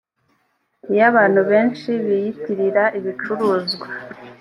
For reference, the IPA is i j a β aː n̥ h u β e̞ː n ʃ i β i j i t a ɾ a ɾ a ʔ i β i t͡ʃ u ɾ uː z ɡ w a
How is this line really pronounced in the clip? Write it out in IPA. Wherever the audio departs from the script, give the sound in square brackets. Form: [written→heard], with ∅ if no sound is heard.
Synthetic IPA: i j a β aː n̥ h u β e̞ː n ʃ i β i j i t [a→i] ɾ [a→i] ɾ a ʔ i β i t͡ʃ u ɾ uː z ɡ w a